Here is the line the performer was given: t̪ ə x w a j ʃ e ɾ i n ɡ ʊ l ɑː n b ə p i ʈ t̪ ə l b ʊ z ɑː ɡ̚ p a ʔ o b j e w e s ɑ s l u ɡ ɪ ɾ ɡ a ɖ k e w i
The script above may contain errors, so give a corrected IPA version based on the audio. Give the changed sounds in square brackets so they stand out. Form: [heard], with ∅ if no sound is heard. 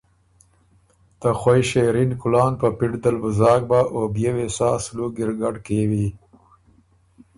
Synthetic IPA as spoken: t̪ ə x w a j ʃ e ɾ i n [k] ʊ l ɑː n [p] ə p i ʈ [d̪] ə l b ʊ z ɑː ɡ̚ [b] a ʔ o b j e w e s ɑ s l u ɡ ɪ ɾ ɡ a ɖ k e w i